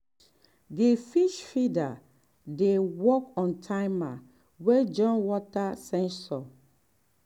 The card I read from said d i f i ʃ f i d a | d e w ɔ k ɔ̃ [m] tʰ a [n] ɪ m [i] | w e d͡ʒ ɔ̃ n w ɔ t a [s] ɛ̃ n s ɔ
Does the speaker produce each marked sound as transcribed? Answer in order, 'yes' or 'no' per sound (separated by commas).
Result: no, no, no, yes